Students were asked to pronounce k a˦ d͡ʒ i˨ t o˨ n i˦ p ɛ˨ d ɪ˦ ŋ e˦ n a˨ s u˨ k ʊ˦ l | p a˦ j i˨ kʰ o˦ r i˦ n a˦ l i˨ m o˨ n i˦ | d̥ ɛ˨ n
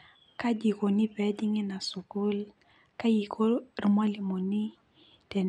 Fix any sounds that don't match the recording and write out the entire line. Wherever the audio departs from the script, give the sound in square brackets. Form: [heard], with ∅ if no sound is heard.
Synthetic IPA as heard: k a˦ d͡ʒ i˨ [k] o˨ n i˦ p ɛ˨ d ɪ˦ ŋ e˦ n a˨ s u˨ k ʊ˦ l | [k] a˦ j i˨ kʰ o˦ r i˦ [m] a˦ l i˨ m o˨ n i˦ | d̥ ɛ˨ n